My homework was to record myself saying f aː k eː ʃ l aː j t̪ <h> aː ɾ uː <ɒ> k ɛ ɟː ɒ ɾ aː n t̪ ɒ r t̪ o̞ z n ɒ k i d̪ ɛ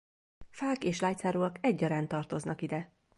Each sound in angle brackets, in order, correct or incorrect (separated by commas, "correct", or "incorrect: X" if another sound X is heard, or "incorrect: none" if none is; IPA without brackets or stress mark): incorrect: s, correct